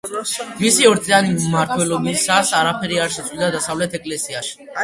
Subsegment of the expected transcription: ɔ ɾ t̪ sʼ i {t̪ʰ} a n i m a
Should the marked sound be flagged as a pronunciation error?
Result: yes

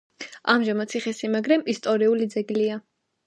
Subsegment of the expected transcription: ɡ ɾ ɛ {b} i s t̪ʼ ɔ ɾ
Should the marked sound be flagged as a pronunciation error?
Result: yes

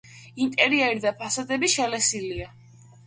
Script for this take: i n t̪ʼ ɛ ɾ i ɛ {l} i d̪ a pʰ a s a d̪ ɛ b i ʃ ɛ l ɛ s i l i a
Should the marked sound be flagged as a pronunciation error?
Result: yes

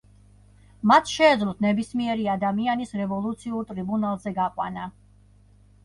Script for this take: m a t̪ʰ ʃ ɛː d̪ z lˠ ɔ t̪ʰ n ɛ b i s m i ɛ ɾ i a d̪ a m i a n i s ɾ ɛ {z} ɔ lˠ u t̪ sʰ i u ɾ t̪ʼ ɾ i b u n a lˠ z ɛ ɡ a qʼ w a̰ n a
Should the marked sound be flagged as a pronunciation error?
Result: yes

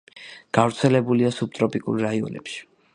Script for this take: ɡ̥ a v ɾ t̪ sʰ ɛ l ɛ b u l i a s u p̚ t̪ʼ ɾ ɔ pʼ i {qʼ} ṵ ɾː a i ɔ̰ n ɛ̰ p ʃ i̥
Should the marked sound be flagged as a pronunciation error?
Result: yes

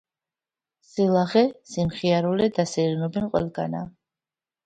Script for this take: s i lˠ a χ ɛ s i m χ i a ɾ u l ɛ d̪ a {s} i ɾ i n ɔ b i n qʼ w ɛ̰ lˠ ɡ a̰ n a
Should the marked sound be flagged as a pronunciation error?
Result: no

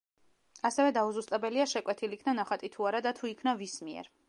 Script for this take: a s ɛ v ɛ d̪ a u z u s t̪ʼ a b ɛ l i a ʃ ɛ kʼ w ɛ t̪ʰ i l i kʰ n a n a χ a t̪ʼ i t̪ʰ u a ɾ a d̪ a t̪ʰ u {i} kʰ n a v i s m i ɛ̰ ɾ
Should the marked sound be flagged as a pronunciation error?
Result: no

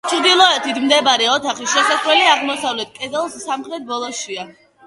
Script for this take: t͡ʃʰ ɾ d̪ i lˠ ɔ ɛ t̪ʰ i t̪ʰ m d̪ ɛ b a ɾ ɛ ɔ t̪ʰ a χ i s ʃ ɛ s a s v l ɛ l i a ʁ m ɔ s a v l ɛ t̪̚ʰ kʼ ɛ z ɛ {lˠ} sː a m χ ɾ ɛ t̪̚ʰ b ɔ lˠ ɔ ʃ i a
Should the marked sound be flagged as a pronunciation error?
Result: no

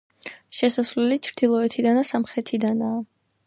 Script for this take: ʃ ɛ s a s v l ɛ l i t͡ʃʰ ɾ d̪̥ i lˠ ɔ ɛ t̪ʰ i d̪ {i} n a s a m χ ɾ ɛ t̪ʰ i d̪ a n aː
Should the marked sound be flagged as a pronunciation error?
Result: yes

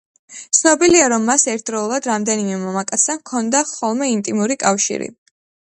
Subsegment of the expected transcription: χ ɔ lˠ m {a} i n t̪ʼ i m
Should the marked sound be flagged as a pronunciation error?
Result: yes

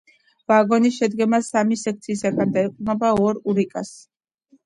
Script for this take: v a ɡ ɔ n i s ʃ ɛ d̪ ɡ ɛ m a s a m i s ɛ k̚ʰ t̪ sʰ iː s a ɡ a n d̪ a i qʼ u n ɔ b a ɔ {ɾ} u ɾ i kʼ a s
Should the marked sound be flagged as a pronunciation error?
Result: no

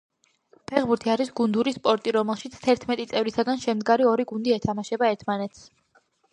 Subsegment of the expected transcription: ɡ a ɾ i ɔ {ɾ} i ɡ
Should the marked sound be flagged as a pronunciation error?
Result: no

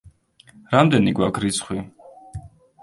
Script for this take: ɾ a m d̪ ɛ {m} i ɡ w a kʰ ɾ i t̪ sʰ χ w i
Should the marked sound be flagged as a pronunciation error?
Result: yes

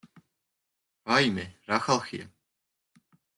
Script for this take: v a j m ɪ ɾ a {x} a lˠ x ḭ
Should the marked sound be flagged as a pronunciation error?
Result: no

